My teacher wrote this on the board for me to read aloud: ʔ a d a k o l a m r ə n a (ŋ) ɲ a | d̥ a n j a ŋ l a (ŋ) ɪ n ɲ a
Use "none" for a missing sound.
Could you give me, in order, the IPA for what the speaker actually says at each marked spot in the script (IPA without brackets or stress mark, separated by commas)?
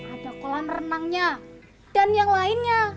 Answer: ŋ, none